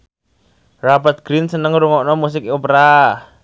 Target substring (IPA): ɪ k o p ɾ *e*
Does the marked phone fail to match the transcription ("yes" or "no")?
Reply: yes